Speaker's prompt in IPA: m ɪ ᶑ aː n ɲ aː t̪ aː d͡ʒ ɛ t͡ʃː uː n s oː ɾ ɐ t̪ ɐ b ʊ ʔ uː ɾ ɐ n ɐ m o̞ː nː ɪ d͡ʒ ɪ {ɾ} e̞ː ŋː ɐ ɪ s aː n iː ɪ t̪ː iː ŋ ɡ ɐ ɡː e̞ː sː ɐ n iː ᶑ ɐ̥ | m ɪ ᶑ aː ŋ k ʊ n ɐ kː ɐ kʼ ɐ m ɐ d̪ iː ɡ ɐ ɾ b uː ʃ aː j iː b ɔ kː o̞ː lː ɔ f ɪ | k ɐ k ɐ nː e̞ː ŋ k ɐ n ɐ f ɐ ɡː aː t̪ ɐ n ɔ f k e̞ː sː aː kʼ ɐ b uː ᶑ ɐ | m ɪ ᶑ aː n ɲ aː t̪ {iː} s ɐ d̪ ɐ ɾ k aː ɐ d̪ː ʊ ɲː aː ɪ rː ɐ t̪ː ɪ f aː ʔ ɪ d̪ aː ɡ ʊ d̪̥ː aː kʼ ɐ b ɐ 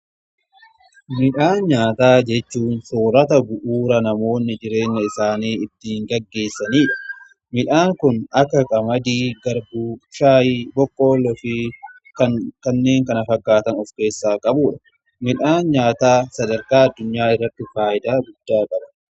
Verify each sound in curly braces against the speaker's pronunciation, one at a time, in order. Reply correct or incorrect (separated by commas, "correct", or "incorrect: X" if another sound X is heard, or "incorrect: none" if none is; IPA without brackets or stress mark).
correct, incorrect: aː